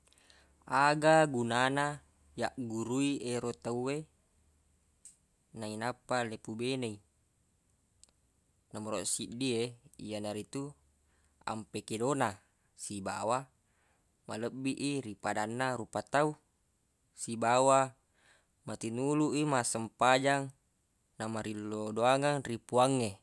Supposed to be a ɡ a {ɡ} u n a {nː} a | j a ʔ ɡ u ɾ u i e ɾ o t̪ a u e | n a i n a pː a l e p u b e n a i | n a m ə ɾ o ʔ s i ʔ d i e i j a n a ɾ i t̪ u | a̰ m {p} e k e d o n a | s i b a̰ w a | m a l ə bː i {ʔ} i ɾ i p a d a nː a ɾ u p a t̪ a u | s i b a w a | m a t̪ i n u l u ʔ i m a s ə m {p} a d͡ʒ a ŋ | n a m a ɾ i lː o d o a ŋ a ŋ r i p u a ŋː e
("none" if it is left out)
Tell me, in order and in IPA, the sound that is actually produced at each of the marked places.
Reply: ɡ, n, p, ʔ, p

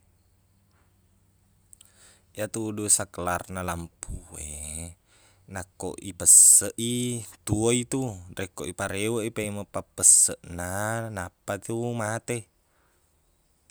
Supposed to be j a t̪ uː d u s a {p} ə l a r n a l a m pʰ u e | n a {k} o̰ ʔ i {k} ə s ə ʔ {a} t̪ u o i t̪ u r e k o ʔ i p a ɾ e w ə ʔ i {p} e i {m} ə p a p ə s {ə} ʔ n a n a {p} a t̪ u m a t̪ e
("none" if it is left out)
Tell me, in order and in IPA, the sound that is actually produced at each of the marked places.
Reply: k, k, p, i, p, m, ə, p

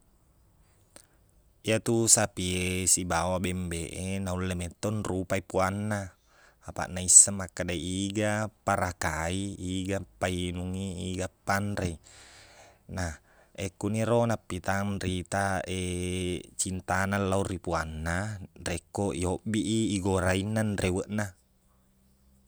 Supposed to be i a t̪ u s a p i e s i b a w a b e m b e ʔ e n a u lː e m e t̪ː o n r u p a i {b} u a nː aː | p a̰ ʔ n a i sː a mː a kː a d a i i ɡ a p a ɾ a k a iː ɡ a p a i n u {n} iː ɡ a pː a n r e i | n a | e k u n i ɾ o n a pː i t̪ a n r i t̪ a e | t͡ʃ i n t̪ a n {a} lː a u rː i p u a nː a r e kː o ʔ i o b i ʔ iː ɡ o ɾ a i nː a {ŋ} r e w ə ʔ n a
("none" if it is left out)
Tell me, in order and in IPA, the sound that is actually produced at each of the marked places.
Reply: p, ŋ, a, n

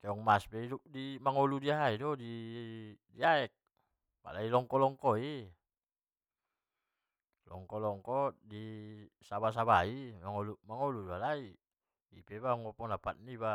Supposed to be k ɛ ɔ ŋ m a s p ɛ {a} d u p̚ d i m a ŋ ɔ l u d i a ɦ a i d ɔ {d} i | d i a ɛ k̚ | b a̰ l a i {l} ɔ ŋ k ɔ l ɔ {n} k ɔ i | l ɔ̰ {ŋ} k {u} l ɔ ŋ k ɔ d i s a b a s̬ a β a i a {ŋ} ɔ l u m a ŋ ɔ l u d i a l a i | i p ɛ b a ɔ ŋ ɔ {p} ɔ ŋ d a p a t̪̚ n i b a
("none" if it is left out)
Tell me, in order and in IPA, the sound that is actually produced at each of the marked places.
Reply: i, d, l, ŋ, ŋ, ɔ, ŋ, p

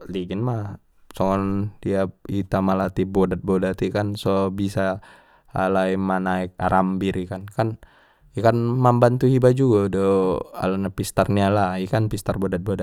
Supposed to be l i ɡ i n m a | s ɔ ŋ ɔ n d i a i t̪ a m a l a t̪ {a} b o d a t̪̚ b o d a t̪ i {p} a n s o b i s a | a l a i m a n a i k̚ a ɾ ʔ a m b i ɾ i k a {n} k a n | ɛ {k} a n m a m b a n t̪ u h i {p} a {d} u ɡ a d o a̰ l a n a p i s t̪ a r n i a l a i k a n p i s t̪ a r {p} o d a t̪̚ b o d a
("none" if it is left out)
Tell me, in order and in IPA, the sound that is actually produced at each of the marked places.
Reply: i, k, n, k, b, d͡ʒ, b

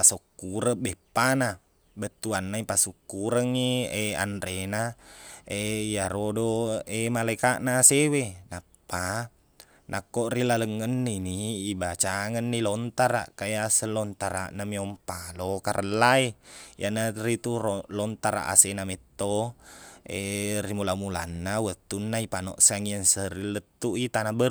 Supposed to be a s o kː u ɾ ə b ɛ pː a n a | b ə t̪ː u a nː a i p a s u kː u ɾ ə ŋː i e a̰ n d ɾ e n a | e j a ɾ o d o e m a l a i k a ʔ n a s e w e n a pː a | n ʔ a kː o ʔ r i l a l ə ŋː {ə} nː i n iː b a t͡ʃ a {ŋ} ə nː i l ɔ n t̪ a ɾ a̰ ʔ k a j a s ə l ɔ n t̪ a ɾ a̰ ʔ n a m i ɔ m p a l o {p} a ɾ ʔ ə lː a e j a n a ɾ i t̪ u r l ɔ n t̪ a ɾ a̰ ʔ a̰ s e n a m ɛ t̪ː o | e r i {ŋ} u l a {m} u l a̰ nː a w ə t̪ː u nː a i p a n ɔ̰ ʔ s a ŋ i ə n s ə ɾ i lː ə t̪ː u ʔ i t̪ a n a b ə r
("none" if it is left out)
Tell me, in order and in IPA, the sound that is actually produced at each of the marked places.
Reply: ə, ŋ, k, m, m

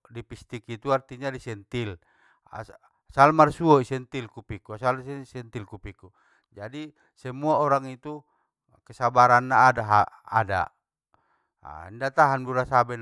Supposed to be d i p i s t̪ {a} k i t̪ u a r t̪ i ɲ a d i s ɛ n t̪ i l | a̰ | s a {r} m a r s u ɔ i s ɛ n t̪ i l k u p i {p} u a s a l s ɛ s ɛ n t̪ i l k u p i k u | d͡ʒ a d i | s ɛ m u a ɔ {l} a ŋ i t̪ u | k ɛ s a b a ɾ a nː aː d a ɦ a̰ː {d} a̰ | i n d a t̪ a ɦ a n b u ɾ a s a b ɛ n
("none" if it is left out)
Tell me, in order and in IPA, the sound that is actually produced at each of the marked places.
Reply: i, l, k, ɾ, d

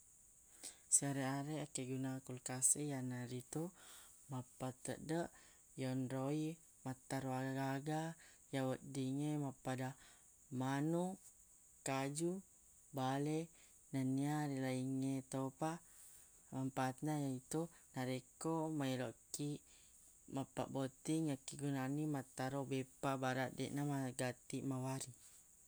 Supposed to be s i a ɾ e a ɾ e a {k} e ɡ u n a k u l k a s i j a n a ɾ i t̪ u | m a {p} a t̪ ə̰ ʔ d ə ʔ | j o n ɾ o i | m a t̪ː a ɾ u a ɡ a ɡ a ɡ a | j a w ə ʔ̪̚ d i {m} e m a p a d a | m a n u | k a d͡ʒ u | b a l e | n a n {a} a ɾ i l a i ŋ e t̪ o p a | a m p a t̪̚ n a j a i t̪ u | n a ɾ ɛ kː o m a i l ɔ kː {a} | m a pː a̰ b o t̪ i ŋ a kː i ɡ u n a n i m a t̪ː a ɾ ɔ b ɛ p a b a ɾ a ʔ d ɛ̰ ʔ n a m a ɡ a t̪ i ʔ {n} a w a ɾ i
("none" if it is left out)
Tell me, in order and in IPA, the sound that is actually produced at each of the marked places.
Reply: k, p, ŋ, i, i, m

